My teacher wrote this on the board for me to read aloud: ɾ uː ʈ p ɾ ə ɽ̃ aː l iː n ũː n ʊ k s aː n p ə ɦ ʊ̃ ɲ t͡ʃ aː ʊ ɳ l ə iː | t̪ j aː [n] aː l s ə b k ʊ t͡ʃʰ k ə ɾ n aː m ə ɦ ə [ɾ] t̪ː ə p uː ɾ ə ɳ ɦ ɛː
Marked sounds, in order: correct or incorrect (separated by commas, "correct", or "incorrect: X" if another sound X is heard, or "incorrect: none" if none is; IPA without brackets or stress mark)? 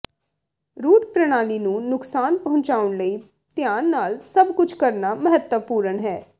incorrect: nː, incorrect: none